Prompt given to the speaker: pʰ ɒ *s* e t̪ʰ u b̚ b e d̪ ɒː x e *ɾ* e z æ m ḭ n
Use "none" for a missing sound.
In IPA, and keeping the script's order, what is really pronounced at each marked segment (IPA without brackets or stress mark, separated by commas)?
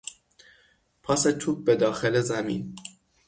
s, l